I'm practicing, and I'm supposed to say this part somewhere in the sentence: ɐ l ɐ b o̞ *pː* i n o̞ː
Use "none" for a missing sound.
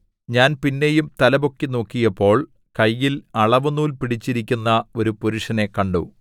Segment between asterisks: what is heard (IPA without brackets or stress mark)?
kː